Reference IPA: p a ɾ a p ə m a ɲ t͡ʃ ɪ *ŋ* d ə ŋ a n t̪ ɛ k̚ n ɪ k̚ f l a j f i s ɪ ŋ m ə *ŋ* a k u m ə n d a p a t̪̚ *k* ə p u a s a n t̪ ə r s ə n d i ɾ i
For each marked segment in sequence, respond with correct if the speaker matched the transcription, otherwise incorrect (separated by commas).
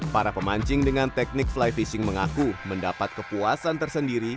correct, correct, correct